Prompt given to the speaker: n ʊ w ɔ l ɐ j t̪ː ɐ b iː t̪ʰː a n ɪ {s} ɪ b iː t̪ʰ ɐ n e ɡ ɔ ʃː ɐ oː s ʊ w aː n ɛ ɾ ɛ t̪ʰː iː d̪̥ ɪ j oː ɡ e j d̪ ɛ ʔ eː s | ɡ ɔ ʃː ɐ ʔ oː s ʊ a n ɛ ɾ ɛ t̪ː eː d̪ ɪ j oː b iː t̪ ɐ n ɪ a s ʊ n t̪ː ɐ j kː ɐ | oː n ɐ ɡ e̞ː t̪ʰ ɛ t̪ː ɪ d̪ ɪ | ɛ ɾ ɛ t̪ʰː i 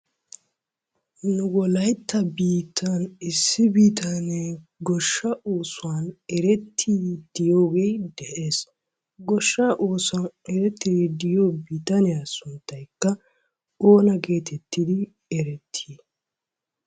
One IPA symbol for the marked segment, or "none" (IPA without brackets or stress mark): sː